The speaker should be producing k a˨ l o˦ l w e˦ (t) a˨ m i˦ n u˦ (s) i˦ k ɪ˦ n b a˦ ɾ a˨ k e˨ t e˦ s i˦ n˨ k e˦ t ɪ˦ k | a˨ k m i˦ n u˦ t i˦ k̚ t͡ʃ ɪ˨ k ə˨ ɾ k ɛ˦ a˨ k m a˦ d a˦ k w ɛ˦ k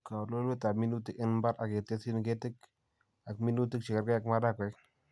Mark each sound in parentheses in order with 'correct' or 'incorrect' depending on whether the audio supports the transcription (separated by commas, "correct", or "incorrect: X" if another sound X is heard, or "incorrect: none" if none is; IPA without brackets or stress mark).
correct, incorrect: t